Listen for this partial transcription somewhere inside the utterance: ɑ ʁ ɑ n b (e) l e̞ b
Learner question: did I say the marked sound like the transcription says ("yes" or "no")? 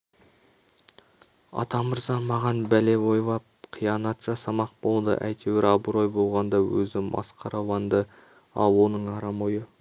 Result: no